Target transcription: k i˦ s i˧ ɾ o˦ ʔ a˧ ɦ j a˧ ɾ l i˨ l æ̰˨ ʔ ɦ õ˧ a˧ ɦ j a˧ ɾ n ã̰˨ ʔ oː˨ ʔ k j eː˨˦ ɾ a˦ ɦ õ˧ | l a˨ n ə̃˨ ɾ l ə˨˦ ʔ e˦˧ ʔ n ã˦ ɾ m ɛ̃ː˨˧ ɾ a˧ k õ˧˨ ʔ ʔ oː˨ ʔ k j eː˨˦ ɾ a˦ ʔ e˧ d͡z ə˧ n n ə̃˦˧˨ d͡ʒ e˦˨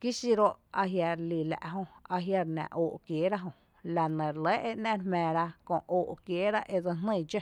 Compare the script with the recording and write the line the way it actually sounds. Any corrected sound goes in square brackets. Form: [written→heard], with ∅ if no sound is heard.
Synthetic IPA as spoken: k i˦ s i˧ ɾ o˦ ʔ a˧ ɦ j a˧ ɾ l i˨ l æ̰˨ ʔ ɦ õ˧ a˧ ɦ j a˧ ɾ n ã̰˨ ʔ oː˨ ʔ k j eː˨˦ ɾ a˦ ɦ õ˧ | l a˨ n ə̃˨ ɾ l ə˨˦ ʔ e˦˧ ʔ n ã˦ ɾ m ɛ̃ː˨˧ ɾ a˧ k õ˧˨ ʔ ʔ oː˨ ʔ k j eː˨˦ ɾ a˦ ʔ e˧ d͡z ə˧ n n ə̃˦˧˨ d͡ʒ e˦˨